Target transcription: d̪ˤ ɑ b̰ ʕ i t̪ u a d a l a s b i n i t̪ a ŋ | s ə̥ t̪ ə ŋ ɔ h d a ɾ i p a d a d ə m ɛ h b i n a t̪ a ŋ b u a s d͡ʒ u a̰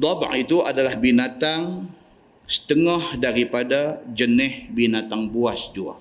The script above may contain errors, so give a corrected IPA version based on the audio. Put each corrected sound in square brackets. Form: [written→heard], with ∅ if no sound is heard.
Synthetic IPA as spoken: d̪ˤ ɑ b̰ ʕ i t̪ u a d a l a [s→h] b i n [i→a] t̪ a ŋ | s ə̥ t̪ ə ŋ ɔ h d a ɾ i p a d a [d→d͡ʒ] ə [m→n] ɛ h b i n a t̪ a ŋ b u a s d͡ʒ u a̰